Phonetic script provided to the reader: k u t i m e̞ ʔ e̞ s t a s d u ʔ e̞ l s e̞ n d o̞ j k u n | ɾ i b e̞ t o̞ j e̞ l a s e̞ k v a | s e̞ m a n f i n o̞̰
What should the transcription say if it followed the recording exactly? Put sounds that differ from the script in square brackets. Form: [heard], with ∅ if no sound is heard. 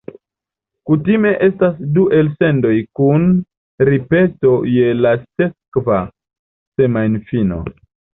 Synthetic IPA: k u t i m e̞ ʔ e̞ s t a s d u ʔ e̞ l s e̞ n d o̞ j k u n | ɾ i [p] e̞ t o̞ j e̞ l a s e̞ k v a | s e̞ m a n f i n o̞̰